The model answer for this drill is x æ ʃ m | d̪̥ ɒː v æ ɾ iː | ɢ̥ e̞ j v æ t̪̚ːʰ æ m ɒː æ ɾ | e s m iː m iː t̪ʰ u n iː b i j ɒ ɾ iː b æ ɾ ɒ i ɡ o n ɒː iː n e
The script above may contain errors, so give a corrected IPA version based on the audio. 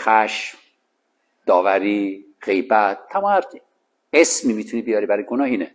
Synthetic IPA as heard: x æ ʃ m | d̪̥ ɒː v æ ɾ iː | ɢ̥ e̞ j b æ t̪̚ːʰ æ m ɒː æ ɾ | e s m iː m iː t̪ʰ u n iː b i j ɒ ɾ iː b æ ɾ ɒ j ɡ o n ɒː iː n e